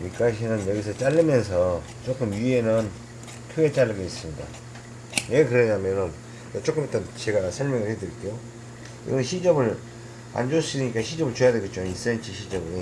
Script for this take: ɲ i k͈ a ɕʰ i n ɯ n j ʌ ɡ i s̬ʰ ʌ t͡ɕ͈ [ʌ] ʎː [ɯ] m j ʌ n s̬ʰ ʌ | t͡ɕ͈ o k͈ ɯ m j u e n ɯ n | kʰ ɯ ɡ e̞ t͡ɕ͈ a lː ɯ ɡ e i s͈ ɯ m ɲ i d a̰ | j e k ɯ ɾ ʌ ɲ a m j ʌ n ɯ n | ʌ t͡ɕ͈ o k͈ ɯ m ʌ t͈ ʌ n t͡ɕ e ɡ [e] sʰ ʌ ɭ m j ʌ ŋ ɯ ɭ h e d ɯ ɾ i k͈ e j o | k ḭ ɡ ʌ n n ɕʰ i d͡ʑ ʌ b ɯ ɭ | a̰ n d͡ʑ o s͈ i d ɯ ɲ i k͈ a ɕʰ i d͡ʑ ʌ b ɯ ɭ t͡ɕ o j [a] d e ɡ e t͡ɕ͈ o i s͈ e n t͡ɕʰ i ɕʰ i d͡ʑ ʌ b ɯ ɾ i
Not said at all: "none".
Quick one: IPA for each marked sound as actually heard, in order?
a, ɯ, a, a

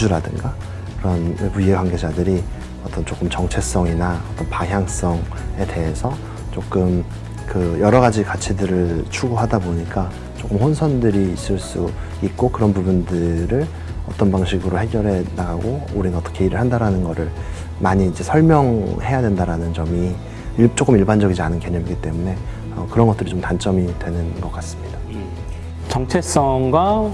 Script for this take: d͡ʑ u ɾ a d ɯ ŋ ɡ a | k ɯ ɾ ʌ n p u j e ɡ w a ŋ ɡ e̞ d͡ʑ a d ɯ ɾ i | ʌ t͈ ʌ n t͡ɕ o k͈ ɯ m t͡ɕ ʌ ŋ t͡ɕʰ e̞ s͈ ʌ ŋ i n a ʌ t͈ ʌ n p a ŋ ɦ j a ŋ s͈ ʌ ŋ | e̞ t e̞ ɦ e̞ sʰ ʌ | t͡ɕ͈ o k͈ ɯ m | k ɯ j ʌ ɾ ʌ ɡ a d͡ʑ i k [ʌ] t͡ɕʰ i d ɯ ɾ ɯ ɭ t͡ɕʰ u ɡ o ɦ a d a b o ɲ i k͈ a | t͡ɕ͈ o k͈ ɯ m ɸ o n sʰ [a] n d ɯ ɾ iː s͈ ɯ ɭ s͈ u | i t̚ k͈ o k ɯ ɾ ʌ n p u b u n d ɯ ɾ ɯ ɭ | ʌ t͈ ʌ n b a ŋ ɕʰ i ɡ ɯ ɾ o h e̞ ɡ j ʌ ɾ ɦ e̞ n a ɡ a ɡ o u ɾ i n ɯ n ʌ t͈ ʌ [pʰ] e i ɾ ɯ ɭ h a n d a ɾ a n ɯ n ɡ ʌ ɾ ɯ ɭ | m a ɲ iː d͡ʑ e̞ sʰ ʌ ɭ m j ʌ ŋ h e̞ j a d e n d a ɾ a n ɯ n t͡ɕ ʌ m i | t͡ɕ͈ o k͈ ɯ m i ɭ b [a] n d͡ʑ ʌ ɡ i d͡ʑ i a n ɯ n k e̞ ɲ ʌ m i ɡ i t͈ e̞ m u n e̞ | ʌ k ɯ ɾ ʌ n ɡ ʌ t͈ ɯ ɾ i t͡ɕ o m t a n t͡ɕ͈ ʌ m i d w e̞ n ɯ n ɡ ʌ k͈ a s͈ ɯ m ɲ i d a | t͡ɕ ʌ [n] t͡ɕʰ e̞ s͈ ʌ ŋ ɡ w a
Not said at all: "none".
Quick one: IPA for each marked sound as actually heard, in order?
a, ʌ, kʰ, a, ŋ

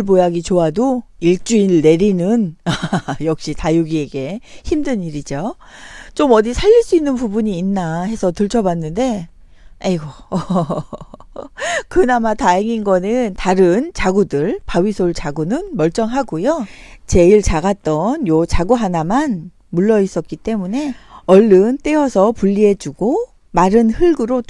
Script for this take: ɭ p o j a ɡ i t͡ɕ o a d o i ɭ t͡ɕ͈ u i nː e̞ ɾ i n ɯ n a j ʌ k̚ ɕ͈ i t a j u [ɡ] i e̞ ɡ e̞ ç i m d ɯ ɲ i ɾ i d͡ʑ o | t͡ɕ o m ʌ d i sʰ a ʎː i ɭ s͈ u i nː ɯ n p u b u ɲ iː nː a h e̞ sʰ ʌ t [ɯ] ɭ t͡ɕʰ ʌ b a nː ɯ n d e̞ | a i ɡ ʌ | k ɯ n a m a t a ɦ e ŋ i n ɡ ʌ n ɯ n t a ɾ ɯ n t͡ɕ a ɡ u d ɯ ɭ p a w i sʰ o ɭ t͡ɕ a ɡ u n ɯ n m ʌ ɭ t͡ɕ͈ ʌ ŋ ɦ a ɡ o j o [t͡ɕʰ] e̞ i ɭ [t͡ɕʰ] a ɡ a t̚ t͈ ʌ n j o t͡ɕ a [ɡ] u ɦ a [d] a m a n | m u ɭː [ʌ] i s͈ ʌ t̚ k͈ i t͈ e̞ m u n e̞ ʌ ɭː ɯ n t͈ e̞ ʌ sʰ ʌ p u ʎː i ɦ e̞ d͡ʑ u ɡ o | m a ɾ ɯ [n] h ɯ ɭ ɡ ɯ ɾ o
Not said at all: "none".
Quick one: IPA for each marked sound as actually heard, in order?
ɡ, ɯ, t͡ɕ, t͡ɕ, ɡ, n, ʌ, n

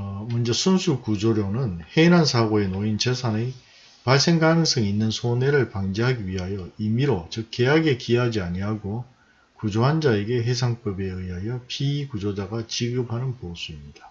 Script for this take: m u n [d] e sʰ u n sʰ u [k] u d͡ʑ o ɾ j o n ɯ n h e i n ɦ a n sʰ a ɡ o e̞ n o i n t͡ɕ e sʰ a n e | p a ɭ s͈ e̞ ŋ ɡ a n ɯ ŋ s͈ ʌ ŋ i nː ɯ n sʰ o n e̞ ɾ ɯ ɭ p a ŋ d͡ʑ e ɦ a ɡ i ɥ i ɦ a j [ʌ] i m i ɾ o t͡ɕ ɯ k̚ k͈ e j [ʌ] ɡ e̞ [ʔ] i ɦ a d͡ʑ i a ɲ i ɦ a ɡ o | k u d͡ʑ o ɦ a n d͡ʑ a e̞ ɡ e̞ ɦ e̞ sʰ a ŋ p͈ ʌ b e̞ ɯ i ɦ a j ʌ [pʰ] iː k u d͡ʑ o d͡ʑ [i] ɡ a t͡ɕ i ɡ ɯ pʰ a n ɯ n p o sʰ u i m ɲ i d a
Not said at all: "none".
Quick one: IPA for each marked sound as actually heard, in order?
d͡ʑ, k, ʌ, a, k, pʰ, a

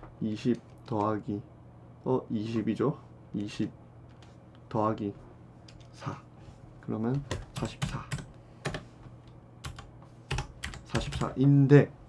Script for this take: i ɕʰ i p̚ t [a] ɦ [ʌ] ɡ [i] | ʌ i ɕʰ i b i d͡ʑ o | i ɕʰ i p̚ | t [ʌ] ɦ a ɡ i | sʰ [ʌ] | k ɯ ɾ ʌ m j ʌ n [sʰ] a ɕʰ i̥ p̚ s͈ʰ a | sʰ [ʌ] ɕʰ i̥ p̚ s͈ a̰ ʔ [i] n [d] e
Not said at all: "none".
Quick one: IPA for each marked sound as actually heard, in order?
ʌ, a, i, ʌ, a, sʰ, a, i, d

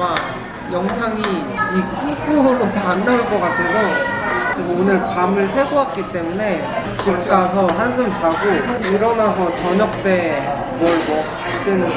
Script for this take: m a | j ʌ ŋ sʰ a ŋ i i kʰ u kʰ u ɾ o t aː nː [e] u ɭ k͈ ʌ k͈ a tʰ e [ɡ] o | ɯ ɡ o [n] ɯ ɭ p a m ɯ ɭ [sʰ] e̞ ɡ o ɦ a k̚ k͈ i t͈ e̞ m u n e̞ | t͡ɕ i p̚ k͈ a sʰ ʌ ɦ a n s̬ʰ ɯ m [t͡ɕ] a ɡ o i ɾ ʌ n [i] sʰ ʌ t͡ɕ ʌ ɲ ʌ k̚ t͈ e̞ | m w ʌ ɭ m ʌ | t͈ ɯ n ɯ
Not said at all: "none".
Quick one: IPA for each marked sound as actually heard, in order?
a, ɡ, n, sʰ, t͡ɕ, a

